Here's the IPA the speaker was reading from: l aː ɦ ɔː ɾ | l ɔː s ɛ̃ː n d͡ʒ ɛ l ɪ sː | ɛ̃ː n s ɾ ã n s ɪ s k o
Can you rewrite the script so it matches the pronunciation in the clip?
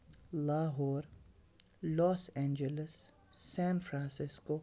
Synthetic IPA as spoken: l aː ɦ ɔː ɾ | l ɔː s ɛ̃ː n d͡ʒ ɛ l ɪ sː | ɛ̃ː n f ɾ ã n s ɪ s k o